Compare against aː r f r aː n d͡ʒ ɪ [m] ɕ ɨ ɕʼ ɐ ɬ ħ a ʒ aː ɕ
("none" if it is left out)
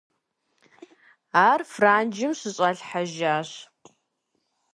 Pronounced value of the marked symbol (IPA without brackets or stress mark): m